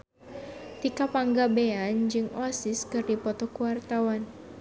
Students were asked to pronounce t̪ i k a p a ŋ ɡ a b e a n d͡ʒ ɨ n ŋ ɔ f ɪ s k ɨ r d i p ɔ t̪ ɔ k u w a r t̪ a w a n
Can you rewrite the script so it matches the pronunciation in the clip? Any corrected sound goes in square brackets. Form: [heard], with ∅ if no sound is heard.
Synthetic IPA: t̪ i k a p a ŋ ɡ a b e a n d͡ʒ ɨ [∅] ŋ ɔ [s] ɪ s k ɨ r d i p ɔ t̪ ɔ k u w a r t̪ a w a n